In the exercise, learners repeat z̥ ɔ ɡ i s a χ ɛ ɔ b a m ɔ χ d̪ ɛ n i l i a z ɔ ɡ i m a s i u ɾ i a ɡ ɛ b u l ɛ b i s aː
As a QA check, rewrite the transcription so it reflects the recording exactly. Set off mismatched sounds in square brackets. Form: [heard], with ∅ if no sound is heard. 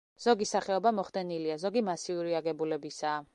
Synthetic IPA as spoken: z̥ ɔ ɡ i s a χ ɛ ɔ b a m ɔ χ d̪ ɛ n i l i a z ɔ ɡ i m a s i u ɾ i a ɡ ɛ b u l ɛ b i s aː